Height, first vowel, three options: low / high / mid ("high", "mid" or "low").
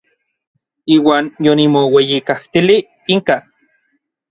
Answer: high